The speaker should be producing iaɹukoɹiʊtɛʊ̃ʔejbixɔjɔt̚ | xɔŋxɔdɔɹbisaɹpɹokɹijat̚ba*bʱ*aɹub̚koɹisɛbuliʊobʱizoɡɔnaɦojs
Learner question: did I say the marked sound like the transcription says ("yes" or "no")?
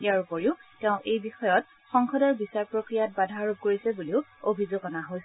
no